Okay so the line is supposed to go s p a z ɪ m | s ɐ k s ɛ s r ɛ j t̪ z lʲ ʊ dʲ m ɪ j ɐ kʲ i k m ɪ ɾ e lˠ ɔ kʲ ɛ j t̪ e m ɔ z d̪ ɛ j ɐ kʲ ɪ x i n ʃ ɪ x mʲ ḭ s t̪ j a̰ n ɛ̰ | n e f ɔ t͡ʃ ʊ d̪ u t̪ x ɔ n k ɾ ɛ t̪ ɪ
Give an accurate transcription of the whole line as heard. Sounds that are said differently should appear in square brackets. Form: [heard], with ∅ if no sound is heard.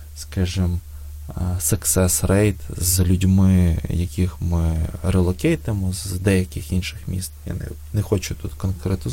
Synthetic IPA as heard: s [k] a [ʒ] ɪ m | s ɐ k s ɛ s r ɛ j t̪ z lʲ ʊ dʲ m ɪ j ɐ kʲ i [x] m ɪ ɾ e lˠ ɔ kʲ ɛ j t̪ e m ɔ z d̪ ɛ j ɐ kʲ ɪ x i n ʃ ɪ x mʲ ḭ s t̪ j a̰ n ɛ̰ | n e [x] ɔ t͡ʃ ʊ [t̪] u t̪ [k] ɔ n k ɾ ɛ t̪ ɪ